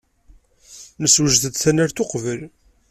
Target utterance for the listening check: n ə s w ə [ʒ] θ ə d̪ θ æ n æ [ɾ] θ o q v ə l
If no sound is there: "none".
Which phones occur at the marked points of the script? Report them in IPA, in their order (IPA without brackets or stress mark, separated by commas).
ʒ, ɾ